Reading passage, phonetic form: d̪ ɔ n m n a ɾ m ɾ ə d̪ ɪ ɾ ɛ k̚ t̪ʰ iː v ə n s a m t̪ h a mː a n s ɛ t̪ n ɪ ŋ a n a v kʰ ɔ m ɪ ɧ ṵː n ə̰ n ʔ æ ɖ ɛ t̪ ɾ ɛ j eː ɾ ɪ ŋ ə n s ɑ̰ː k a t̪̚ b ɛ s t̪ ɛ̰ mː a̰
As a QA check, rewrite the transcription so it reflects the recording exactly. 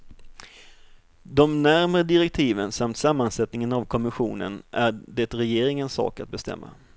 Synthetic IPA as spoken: d̪ ɔ m n æ ɾ m ɾ ə d̪ ɪ ɾ ɛ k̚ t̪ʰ iː v ə n s a m t̪ s a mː a n s ɛ t̪ n ɪ ŋ ə n a v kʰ ɔ m ɪ ɧ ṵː n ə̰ n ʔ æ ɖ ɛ t̪ ɾ ɛ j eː ɾ ɪ ŋ ə n s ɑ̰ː k a t̪̚ b ɛ s t̪ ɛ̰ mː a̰

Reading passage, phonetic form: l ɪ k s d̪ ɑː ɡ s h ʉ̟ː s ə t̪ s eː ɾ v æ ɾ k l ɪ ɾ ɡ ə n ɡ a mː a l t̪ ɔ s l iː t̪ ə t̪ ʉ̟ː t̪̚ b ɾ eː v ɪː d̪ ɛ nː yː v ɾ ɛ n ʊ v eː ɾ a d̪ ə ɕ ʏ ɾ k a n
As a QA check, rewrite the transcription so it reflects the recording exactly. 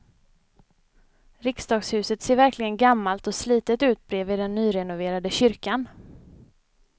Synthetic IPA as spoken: ɾ ɪ k s d̪ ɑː ɡ s h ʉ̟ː s ə t̪ s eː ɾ v æ ɾ k l ɪ ɡ ə n ɡ a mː a l t̪ ɔ s l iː t̪ ə t̪ ʉ̟ː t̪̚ b ɾ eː v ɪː d̪ ɛ nː yː ɾ ɛ n ʊ v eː ɾ a d̪ ə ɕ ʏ ɾ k a n

